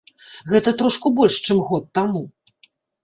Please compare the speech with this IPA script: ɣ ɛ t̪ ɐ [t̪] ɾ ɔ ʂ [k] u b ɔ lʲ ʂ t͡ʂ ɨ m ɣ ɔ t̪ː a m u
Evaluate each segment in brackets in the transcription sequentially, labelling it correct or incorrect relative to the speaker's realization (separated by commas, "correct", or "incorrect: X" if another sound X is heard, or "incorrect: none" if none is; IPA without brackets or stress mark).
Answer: correct, correct